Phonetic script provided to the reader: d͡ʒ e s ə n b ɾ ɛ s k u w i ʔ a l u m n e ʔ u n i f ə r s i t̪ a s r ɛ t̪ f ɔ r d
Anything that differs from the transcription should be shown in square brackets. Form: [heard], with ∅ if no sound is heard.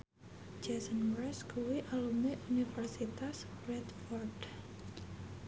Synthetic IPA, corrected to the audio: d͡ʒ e s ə n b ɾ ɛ s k u w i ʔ a l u m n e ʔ u n i f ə r s i t̪ a s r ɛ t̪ f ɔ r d